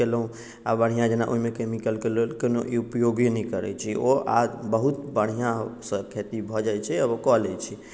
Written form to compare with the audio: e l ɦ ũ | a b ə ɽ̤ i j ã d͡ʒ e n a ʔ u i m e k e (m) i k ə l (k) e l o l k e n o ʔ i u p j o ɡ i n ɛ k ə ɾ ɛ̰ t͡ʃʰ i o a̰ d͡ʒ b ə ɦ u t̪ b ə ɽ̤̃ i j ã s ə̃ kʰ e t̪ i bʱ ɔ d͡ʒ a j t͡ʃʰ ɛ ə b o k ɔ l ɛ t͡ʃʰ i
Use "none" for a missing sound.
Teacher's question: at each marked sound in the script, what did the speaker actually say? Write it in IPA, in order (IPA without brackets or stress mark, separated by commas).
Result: m, k